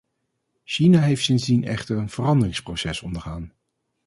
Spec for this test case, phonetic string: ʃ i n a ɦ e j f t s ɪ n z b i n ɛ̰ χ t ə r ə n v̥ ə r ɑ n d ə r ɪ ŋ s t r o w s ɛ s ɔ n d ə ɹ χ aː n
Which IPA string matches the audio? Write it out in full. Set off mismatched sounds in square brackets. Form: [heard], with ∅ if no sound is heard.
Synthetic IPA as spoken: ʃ i n a ɦ e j f t s ɪ n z [d] i n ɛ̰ χ t ə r ə n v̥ ə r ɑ n d ə r ɪ ŋ s [p] r o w s ɛ s ɔ n d ə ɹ χ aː n